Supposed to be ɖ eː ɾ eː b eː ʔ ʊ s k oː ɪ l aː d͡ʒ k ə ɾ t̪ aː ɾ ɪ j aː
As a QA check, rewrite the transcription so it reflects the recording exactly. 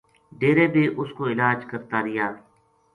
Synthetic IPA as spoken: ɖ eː ɾ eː b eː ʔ ʊ s k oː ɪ l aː d͡ʒ k ə ɾ t̪ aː ɾ ɪ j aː